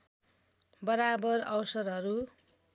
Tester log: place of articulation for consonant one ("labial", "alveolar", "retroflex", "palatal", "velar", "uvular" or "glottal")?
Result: labial